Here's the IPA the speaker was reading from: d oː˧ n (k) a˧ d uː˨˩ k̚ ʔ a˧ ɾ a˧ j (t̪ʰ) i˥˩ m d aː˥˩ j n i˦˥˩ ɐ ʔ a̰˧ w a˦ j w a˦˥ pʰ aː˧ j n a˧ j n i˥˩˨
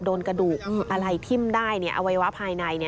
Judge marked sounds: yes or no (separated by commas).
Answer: yes, yes